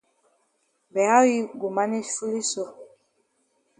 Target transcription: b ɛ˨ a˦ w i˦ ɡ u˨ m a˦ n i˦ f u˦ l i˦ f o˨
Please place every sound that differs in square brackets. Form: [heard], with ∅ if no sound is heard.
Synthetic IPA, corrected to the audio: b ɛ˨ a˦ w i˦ ɡ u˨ m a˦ n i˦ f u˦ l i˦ [s] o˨